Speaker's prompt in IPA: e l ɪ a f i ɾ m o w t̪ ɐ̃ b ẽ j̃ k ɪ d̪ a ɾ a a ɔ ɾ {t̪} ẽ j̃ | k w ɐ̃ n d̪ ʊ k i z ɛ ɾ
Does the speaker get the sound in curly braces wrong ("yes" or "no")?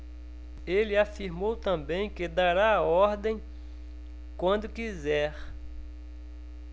yes